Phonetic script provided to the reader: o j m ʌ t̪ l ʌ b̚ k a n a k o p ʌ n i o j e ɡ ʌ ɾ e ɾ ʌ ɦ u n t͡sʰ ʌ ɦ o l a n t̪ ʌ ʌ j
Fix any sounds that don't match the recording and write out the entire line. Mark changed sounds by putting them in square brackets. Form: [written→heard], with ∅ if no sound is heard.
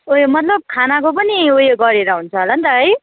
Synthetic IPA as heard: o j m ʌ t̪ l ʌ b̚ [k→kʰ] a n a k o p ʌ n i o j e ɡ ʌ ɾ e ɾ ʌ ɦ u n t͡sʰ ʌ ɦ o l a n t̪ ʌ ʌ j